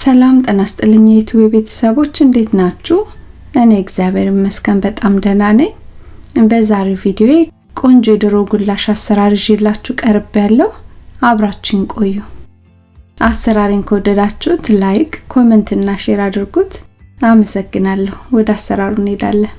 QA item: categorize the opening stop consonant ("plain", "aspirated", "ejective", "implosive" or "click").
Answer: ejective